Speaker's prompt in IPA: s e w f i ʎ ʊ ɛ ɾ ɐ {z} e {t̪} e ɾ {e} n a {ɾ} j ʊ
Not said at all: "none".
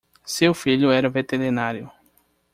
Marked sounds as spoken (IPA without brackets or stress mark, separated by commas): v, t̪, i, ɾ